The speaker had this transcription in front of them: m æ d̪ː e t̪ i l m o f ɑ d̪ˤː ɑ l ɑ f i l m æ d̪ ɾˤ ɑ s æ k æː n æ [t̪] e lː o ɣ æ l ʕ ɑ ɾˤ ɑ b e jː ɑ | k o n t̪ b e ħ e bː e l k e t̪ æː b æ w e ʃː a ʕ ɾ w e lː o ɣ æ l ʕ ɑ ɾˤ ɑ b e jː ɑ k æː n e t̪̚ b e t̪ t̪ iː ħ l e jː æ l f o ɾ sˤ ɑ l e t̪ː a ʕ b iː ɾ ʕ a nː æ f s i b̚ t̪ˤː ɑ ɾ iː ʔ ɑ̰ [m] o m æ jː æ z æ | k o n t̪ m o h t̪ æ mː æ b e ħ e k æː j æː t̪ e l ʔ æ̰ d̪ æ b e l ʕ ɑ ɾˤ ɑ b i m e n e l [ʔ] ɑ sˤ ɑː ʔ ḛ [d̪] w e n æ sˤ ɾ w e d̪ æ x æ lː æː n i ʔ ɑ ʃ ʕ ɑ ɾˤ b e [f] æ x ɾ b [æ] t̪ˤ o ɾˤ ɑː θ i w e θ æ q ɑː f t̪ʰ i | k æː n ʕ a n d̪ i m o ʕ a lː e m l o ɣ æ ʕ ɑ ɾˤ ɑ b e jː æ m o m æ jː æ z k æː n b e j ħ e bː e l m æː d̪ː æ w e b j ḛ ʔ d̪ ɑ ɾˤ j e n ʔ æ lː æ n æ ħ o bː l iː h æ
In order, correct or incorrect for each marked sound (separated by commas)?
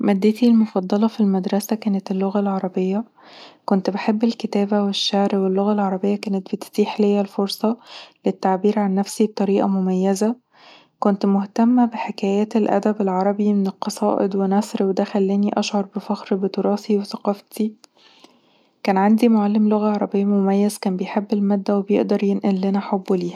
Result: correct, correct, incorrect, correct, correct, incorrect